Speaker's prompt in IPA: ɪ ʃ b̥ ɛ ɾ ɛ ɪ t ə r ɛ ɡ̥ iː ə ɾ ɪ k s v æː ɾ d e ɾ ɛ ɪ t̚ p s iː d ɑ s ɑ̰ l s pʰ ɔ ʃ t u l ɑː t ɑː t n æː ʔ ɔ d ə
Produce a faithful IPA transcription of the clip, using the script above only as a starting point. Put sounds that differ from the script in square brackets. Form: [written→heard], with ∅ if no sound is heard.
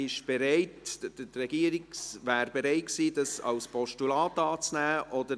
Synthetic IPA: ɪ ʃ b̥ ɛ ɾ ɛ ɪ t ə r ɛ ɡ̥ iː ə ɾ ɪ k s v æː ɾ [d→b] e ɾ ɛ ɪ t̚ [p→k] s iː d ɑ s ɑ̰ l s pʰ ɔ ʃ t u l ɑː t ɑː [t→t͡s] n æː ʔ ɔ d ə